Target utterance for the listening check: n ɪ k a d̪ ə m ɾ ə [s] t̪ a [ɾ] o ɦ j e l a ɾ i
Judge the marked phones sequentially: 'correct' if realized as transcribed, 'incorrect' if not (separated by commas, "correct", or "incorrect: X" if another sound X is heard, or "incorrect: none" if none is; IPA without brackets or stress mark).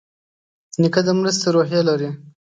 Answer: correct, correct